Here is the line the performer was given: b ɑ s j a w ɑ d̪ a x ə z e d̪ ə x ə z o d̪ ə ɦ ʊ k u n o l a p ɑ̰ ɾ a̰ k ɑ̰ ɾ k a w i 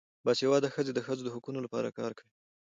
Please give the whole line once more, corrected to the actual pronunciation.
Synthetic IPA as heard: b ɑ s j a w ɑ d̪ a x ə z e d̪ ə x ə z o d̪ ə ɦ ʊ k u n o l a p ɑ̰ ɾ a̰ k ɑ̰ ɾ k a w i